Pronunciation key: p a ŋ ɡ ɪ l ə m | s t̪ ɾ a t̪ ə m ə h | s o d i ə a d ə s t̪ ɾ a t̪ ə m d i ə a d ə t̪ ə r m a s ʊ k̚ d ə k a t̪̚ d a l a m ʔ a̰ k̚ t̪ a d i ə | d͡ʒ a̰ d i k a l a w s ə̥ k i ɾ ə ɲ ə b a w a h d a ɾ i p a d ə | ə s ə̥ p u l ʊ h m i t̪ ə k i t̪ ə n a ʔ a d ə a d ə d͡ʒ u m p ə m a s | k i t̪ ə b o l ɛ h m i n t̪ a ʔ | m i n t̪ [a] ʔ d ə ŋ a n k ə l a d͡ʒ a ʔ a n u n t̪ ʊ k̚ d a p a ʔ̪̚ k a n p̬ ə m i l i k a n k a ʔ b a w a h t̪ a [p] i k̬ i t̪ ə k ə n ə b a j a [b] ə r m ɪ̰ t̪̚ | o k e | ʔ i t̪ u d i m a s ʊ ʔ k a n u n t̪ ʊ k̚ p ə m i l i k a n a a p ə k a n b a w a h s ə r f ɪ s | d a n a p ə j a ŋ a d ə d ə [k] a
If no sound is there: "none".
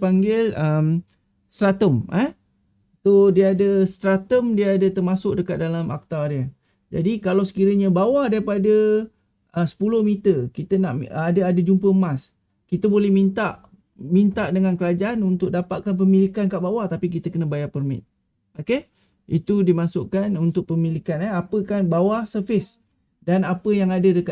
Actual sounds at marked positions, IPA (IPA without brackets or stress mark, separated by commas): a, p, p, k